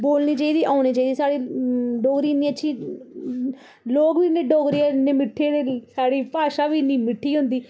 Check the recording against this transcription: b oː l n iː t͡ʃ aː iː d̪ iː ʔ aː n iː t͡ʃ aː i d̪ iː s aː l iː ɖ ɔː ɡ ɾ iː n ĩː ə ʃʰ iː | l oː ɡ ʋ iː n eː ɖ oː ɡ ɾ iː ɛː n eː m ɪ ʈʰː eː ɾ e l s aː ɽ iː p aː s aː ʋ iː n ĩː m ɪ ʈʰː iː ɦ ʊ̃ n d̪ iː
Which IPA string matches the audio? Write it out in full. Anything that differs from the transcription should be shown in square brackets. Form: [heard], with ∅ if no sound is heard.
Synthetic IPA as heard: b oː l n iː t͡ʃ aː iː d̪ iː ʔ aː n iː t͡ʃ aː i d̪ iː s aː [ɽ] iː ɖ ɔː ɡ ɾ iː n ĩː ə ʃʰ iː | l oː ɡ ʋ iː n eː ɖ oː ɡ ɾ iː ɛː n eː m ɪ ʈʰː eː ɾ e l s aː ɽ iː p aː [ʃ] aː ʋ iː n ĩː m ɪ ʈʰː iː ɦ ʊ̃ n d̪ iː

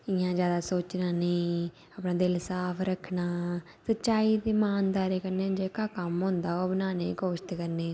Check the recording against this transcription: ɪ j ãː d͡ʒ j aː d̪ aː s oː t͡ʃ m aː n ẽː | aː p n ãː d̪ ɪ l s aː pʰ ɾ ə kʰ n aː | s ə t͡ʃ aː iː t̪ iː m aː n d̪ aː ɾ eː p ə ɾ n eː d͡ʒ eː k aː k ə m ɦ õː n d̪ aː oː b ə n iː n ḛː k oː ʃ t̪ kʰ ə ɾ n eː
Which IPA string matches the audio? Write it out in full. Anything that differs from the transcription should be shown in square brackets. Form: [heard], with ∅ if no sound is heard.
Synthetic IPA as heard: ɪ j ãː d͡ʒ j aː d̪ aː s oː t͡ʃ [n] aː n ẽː | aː p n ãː d̪ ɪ l s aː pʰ ɾ ə kʰ n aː | s ə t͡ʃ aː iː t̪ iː m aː n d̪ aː ɾ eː [k] ə ɾ n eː d͡ʒ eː k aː k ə m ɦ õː n d̪ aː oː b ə n [aː] n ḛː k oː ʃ t̪ [k] ə ɾ n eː

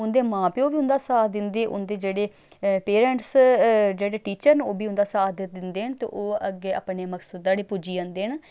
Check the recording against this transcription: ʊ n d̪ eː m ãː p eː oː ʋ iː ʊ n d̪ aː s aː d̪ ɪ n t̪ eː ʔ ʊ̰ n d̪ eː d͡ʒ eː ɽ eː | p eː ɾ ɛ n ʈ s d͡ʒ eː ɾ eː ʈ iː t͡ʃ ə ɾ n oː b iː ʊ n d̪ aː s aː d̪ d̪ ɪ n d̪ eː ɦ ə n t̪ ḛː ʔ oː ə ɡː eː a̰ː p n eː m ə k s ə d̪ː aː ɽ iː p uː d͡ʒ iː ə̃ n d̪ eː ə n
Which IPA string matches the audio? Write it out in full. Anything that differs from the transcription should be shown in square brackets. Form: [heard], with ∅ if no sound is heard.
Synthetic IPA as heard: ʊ n d̪ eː m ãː p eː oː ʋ iː ʊ n d̪ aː s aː d̪ ɪ n [d̪] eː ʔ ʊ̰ n d̪ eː d͡ʒ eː ɽ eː | p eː ɾ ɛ [ɳ] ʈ s d͡ʒ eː [ɽ] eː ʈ iː t͡ʃ ə ɾ n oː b iː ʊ n d̪ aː s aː d̪ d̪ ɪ n d̪ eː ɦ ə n t̪ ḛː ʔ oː ə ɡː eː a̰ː p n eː m ə k s ə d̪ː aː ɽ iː p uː d͡ʒ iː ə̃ n d̪ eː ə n

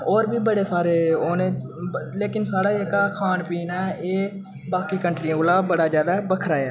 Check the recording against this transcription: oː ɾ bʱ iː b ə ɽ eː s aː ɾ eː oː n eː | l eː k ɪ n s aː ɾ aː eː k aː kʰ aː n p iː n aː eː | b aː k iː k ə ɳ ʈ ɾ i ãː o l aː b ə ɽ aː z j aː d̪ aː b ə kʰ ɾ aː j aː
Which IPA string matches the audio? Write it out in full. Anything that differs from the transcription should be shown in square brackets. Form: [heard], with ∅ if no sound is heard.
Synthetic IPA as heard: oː ɾ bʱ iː b ə ɽ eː s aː ɾ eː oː n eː | l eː k ɪ n s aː [ɽ] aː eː k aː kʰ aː n p iː n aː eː | b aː k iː k ə ɳ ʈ ɾ i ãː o l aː b ə ɽ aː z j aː d̪ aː b ə kʰ ɾ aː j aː

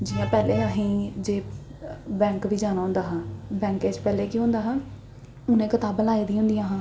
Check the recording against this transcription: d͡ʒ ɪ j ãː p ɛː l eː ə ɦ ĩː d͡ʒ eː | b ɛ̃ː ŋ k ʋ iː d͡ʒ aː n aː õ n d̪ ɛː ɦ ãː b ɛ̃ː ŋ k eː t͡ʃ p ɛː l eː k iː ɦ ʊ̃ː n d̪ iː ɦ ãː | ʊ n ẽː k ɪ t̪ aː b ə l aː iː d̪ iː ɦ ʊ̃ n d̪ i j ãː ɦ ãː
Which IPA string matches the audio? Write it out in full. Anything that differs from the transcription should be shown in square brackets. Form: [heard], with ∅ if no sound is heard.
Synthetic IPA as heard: d͡ʒ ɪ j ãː p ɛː l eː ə ɦ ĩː d͡ʒ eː | b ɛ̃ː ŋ k ʋ iː d͡ʒ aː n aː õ n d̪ [aː] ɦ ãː b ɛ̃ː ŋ k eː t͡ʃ p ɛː l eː k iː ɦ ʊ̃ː n d̪ [aː] ɦ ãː | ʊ n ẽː k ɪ t̪ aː b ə l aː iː d̪ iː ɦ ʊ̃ n d̪ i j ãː ɦ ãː

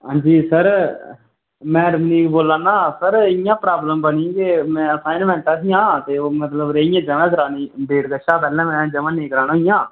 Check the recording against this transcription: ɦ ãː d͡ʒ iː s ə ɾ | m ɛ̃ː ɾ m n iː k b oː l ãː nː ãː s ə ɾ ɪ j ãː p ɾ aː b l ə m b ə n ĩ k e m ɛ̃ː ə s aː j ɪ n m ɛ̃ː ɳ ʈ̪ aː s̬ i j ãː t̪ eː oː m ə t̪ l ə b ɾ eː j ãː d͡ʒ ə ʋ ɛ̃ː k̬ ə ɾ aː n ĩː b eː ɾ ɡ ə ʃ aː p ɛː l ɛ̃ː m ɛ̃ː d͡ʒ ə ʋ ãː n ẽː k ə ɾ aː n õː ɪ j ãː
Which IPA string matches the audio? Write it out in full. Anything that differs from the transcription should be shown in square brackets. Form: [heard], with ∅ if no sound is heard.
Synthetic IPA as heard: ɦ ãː d͡ʒ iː s ə ɾ | m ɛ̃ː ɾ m n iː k b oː l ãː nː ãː s ə ɾ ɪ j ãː p ɾ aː b l ə m b ə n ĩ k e m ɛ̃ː ə s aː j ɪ n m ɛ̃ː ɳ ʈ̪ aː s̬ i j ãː t̪ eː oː m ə t̪ l ə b ɾ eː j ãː d͡ʒ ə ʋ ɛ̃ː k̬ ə ɾ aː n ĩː b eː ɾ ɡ ə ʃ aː p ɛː l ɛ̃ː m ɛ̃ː d͡ʒ ə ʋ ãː n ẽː k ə ɾ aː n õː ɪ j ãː

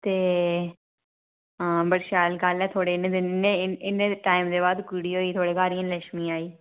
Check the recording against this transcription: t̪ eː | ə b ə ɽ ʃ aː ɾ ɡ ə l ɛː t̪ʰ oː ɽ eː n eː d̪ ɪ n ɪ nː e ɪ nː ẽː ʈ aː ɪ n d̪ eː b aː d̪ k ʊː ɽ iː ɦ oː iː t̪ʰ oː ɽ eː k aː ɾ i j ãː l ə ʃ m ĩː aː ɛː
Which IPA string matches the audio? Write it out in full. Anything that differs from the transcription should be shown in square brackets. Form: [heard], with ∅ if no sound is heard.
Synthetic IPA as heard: t̪ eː | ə b ə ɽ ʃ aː [l] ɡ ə l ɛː t̪ʰ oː ɽ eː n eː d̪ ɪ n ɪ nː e ɪ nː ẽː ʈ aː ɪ [m] d̪ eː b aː d̪ k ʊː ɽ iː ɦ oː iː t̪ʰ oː ɽ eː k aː ɾ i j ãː l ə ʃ m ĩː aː [iː]

